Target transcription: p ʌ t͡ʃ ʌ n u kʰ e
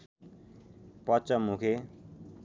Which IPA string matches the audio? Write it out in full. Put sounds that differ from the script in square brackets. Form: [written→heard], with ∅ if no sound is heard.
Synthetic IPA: p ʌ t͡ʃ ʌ [n→m] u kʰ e